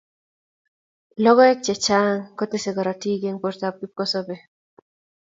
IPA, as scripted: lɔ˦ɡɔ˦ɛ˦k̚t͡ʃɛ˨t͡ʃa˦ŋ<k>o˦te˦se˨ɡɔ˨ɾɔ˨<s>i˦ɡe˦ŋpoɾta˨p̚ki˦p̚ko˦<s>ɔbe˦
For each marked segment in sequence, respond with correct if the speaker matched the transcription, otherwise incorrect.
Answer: correct, incorrect, correct

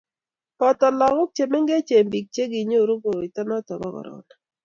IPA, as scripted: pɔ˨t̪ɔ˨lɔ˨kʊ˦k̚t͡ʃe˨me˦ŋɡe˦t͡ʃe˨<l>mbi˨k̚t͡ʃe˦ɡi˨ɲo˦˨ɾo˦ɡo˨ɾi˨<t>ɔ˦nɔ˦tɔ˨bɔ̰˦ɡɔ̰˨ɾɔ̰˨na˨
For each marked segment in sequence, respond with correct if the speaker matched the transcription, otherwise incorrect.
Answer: incorrect, correct

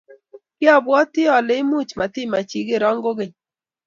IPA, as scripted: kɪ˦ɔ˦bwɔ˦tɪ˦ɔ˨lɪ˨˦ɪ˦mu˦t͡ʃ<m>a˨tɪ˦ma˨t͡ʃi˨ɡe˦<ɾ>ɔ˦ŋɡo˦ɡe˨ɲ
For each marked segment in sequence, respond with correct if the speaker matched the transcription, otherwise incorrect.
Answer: correct, correct

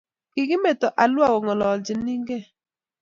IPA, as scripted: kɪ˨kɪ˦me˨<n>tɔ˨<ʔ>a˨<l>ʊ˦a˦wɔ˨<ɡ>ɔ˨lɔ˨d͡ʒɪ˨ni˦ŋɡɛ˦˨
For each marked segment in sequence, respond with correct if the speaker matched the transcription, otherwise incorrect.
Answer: incorrect, correct, correct, incorrect

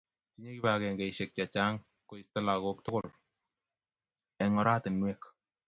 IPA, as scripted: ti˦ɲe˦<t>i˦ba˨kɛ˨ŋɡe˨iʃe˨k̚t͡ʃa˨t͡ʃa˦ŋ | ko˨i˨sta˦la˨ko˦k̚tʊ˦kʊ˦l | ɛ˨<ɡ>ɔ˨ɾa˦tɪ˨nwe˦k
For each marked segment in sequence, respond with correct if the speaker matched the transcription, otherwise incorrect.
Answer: incorrect, incorrect

